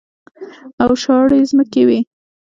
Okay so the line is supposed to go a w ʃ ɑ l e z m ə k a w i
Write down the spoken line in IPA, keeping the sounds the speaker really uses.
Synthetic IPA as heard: a w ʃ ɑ ɽ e z m ə k e w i